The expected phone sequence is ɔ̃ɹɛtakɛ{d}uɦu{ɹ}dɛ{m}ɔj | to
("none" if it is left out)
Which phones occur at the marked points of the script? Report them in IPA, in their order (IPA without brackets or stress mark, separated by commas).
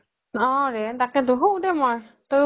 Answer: d, none, m